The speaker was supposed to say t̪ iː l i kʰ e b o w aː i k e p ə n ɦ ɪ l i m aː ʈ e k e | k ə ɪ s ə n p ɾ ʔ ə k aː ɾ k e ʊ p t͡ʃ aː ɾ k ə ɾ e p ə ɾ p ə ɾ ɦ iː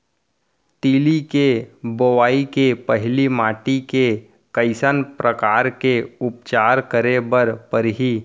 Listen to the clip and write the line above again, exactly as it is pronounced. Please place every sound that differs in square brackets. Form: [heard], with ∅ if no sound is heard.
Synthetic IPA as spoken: t̪ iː l i [k] e b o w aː i k e p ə [∅] ɦ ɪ l i m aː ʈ [i] k e | k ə ɪ s ə n p ɾ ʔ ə k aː ɾ k e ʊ p t͡ʃ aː ɾ k ə ɾ e [b] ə ɾ p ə ɾ ɦ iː